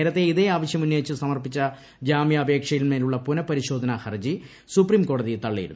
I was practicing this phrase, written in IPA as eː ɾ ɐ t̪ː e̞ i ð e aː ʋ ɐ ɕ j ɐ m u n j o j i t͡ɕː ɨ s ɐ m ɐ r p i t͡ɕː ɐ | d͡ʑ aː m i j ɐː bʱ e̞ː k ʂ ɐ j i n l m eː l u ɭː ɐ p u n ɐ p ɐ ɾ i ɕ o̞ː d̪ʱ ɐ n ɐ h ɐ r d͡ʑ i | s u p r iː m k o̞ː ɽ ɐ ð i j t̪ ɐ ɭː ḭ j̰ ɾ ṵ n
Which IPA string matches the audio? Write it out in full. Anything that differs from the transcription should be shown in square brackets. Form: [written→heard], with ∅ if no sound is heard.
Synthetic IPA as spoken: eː ɾ ɐ t̪ː e̞ i ð e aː ʋ ɐ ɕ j ɐ m u n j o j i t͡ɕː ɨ s ɐ m ɐ r p i t͡ɕː ɐ | d͡ʑ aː m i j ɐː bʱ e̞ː k ʂ ɐ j i [n→∅] l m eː l u ɭː ɐ p u n ɐ p ɐ ɾ i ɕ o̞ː d̪ʱ ɐ n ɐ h ɐ r d͡ʑ i | s u p r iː m k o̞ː ɽ ɐ ð i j t̪ ɐ ɭː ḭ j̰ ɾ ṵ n

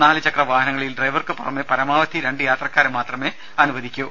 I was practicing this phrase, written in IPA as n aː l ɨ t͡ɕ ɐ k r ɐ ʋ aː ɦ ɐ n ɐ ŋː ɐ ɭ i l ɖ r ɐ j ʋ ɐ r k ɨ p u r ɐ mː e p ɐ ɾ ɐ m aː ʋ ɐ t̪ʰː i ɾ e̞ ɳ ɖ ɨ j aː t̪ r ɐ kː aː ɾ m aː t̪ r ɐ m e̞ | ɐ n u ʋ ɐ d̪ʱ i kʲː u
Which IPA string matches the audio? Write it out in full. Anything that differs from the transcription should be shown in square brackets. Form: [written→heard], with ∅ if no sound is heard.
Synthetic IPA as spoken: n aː l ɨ t͡ɕ ɐ k r ɐ ʋ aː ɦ ɐ n ɐ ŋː ɐ ɭ i l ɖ r ɐ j ʋ ɐ r k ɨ p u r ɐ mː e p ɐ ɾ ɐ m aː ʋ ɐ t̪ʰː i ɾ e̞ ɳ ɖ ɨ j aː t̪ r ɐ kː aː ɾ m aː t̪ r ɐ m e̞ | ɐ n u ʋ ɐ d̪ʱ i kʲː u

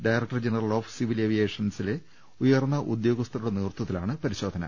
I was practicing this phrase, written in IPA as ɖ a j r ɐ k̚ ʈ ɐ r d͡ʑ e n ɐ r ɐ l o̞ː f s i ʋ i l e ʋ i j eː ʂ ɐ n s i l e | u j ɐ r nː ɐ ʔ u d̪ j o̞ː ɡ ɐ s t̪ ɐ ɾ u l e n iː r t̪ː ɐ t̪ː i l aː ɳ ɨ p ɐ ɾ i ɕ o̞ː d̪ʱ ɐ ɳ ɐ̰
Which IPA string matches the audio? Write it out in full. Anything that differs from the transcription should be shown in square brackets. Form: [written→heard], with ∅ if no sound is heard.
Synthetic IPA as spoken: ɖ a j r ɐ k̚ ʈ ɐ r d͡ʑ e n ɐ r ɐ l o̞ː f s i ʋ i l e ʋ i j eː ʂ ɐ n s i l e | u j ɐ r nː ɐ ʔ u d̪ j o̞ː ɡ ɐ s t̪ ɐ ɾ u [l→ɽ] e n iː r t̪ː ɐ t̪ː i l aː ɳ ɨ p ɐ ɾ i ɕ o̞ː d̪ʱ ɐ [ɳ→n] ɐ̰

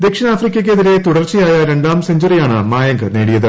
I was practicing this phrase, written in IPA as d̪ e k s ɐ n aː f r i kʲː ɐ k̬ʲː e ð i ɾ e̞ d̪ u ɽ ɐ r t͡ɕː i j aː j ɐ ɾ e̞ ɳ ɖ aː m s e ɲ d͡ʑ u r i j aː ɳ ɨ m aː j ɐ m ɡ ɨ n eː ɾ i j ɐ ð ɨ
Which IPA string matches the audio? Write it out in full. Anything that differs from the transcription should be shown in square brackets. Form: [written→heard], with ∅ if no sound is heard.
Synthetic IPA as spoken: d̪ e k [s→ʂ] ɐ n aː f r i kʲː ɐ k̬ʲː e ð i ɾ e̞ [d̪→t̪] u ɽ ɐ r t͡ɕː i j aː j ɐ ɾ e̞ ɳ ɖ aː m s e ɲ d͡ʑ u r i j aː ɳ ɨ m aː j ɐ [m→ŋ] ɡ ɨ n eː [ɾ→ɽ] i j ɐ ð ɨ

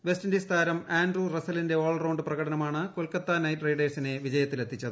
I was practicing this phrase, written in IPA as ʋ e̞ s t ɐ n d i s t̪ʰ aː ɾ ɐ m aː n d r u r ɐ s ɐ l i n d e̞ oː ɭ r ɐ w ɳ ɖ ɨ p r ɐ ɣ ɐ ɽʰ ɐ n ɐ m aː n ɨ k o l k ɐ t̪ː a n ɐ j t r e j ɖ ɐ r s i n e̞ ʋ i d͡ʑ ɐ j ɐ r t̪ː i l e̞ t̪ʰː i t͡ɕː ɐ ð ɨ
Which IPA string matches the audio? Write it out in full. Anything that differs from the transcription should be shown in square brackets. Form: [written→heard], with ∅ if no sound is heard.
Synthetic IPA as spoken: ʋ e̞ s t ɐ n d i s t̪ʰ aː ɾ ɐ m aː n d r u r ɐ s ɐ l i n d e̞ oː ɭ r ɐ w ɳ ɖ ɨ p r ɐ ɣ ɐ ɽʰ ɐ n ɐ m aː [n→ɳ] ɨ k o l k ɐ t̪ː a n ɐ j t r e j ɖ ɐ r s i n e̞ ʋ i d͡ʑ ɐ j ɐ [r→∅] t̪ː i l e̞ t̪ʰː i t͡ɕː ɐ ð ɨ

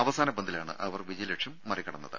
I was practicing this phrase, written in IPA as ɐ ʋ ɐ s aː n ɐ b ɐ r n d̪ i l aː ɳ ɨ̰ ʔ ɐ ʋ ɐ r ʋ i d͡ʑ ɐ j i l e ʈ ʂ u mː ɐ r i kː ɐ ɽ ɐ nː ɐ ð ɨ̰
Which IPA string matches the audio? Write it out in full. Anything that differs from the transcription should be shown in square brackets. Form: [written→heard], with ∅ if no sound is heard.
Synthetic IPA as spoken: ɐ ʋ ɐ s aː n ɐ b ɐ [r→∅] n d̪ i l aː ɳ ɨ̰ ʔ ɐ ʋ ɐ r ʋ i d͡ʑ ɐ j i l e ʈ ʂ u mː ɐ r i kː ɐ ɽ ɐ nː ɐ ð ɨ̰

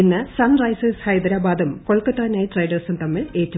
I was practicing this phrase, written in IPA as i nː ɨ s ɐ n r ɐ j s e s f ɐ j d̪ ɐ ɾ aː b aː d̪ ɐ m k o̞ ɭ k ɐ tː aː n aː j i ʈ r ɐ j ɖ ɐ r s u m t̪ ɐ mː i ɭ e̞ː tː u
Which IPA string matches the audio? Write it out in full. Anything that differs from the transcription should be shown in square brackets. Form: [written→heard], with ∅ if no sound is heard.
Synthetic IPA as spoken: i nː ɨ s ɐ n r ɐ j s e s [f→h] ɐ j d̪ ɐ ɾ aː b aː d̪ ɐ m k o̞ ɭ k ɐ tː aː n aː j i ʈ r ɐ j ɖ ɐ r s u m t̪ ɐ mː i ɭ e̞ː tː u

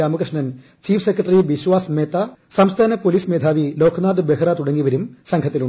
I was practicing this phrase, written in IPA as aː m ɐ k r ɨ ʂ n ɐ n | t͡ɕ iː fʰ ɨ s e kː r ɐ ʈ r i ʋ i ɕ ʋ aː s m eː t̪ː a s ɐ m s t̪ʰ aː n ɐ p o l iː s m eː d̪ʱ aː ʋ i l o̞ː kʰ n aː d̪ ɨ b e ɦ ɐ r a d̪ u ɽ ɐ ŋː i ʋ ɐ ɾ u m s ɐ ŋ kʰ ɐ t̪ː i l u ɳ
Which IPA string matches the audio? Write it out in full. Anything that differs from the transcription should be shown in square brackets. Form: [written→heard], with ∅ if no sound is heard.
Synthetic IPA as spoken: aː m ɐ k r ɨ ʂ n ɐ n | t͡ɕ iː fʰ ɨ s e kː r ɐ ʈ r i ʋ i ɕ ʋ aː s m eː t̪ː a s ɐ m s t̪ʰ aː n ɐ p o l iː s m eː d̪ʱ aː ʋ i l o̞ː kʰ n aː d̪ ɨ b e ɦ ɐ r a [d̪→t̪] u ɽ ɐ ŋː i ʋ ɐ ɾ u m s ɐ ŋ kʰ ɐ t̪ː i l u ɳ

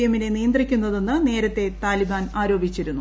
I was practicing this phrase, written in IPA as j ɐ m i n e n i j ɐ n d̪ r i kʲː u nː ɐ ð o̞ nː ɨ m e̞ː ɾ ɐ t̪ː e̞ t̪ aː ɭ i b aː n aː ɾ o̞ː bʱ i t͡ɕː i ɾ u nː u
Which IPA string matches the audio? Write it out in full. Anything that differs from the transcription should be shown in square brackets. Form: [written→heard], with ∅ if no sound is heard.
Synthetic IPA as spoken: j ɐ m i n e n i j ɐ n d̪ r i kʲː u nː ɐ ð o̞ nː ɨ [m→n] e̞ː ɾ ɐ t̪ː e̞ t̪ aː [ɭ→l] i b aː n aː ɾ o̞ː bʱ i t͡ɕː i ɾ u nː u

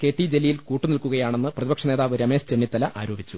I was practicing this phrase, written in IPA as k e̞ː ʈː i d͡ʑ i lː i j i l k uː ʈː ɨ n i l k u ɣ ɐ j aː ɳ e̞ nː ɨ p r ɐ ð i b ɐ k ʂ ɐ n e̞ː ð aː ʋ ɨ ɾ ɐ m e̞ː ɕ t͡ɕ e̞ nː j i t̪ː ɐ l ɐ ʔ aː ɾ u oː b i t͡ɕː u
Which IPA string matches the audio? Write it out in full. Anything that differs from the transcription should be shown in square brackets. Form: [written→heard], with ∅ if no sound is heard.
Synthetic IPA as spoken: k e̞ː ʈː i d͡ʑ [i→e] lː i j i l k uː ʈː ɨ n i l k u ɣ ɐ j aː ɳ e̞ nː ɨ p r ɐ ð i b ɐ k ʂ ɐ n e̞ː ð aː ʋ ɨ ɾ ɐ m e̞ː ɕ t͡ɕ e̞ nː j i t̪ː ɐ l ɐ ʔ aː ɾ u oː b i t͡ɕː u

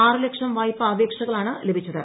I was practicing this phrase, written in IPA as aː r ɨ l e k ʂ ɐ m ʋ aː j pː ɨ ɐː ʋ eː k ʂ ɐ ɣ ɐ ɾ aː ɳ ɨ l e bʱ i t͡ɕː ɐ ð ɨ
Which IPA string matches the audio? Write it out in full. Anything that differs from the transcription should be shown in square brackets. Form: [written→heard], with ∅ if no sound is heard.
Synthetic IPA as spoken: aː r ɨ l e k ʂ ɐ m ʋ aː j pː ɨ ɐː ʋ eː k ʂ ɐ ɣ ɐ [ɾ→ɭ] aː ɳ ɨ l e bʱ i t͡ɕː ɐ ð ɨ

